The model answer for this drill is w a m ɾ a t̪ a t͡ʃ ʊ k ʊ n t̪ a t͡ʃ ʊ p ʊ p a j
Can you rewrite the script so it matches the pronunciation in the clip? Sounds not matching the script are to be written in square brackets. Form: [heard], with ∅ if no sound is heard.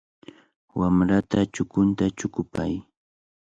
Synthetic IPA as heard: w a m ɾ a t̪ a t͡ʃ ʊ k ʊ n t̪ a t͡ʃ ʊ [k] ʊ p a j